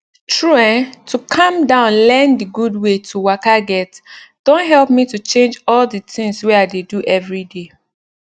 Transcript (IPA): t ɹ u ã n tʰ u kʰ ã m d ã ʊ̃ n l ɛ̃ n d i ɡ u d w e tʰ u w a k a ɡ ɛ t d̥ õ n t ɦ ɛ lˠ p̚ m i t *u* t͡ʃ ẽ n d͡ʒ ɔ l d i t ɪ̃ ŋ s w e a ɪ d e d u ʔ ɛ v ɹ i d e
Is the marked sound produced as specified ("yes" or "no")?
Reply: yes